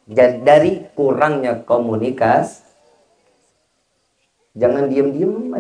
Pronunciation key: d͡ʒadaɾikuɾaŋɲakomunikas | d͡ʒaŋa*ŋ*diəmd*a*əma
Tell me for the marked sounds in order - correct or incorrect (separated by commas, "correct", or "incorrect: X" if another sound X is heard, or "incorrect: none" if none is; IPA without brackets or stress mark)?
incorrect: n, incorrect: i